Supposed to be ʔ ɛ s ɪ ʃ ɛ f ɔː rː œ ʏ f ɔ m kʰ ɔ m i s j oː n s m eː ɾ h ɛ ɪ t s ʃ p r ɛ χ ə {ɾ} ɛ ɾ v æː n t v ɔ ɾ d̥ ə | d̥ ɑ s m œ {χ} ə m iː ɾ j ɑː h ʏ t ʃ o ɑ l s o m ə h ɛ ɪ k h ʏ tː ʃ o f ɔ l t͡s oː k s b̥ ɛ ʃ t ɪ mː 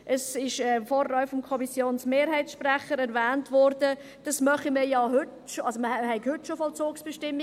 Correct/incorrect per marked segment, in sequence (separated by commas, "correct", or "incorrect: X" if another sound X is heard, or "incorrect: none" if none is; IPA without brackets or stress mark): correct, correct